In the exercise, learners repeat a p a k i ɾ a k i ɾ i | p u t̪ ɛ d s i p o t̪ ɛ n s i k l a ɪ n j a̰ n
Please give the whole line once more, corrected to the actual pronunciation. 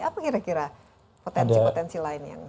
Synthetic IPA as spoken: a p a k i ɾ a k i ɾ a | p o t̪ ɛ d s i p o t̪ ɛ n s i l a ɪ n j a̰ ŋ